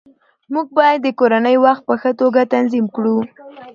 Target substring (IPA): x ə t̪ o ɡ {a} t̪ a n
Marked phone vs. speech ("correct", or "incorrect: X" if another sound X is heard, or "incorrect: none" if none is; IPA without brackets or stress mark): correct